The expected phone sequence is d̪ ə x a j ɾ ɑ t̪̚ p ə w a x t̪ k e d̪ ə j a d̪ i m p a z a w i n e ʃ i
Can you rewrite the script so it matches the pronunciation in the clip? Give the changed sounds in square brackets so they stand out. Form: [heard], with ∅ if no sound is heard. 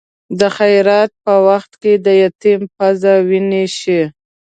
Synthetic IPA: d̪ ə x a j ɾ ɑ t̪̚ p ə w a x t̪ k e d̪ ə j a [t̪] i m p a z a w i n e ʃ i

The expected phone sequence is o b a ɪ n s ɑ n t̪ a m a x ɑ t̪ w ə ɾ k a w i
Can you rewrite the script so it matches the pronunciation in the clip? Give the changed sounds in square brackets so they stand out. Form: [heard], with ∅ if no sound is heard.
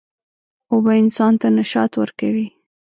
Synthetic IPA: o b a ɪ n s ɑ n t̪ a [n] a [ʃ] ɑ t̪ w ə ɾ k a w i

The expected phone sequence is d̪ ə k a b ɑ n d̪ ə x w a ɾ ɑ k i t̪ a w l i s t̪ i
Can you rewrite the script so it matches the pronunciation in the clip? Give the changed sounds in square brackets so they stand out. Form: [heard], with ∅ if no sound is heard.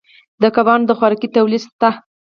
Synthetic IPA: d̪ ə k a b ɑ n d̪ ə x w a ɾ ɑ k i t̪ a w l i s t̪ [a]

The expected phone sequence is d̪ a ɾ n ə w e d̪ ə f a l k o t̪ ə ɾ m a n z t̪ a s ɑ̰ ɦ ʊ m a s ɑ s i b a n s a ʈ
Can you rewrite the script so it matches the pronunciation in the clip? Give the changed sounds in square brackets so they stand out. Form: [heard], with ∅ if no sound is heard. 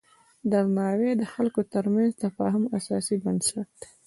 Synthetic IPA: d̪ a ɾ n [ɑ] w e d̪ ə [x] a l k o t̪ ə ɾ m a n z t̪ a [f] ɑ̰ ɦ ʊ m a s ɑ s i b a n s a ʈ

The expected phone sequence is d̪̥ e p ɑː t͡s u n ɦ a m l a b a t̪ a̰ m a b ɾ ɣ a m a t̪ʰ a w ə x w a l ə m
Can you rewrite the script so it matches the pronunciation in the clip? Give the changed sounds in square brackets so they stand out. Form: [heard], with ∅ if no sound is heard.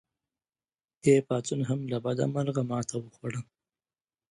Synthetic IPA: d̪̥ e p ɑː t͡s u n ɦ a m l a b a [d̪] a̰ m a [∅] ɾ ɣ a m [ɑ] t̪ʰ a w ə x w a [ɽ] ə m

